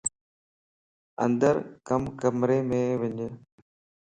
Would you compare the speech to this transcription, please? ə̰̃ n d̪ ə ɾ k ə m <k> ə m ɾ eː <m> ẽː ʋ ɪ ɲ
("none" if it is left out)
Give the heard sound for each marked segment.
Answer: k, m

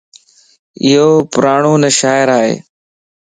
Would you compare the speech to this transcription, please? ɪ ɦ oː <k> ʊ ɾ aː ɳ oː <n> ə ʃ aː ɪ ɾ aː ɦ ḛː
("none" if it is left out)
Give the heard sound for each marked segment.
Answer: p, n

